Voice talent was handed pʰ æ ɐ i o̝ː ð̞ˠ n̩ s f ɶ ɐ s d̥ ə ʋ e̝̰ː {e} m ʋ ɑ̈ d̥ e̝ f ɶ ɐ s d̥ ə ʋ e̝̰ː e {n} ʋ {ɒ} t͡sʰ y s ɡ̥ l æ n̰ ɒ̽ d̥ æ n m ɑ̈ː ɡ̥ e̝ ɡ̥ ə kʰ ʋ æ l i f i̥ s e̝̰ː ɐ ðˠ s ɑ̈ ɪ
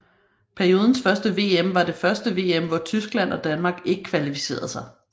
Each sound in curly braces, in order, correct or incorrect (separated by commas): correct, incorrect, correct